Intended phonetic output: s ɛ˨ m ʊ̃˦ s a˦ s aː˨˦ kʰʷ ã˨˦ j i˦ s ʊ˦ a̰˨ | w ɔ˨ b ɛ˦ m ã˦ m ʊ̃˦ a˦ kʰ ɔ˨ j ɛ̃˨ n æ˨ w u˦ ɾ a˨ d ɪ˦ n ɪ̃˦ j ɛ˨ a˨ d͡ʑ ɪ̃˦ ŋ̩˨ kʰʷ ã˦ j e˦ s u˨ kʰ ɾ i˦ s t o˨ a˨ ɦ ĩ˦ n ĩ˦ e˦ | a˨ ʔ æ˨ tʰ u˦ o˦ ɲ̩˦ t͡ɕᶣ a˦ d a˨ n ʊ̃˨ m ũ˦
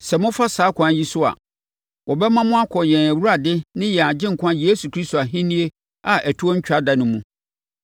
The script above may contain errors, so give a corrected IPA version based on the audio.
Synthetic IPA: s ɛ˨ m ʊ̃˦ f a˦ s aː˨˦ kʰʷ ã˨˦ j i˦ s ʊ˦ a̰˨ | w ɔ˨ b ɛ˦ m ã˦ m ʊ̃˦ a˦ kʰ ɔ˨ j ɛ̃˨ n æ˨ w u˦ ɾ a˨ d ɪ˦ n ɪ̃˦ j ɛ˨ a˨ d͡ʑ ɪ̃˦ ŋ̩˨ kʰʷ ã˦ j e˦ s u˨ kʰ ɾ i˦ s t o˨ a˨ ɦ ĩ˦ n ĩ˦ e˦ | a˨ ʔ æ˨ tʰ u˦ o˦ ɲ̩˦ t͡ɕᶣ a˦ d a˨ n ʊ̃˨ m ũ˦